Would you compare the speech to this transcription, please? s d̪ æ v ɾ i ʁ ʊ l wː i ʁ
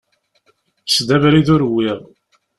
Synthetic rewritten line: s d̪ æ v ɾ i ð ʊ ɾ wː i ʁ